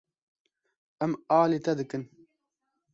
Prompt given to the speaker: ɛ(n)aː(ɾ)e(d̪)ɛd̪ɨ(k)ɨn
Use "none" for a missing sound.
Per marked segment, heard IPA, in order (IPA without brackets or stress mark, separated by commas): m, l, t̪, k